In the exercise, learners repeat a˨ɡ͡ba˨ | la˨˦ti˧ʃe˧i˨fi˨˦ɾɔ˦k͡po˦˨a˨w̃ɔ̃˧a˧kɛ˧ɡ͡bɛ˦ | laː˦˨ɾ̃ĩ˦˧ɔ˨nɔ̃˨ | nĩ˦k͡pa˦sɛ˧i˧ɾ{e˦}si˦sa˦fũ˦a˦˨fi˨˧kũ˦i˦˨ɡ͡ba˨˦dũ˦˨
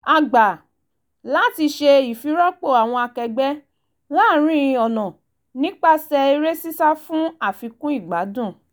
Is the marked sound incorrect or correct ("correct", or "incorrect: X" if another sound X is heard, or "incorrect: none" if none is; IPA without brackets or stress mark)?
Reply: correct